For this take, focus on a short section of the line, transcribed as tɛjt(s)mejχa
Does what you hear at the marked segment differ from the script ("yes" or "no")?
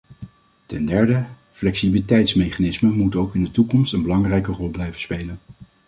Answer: no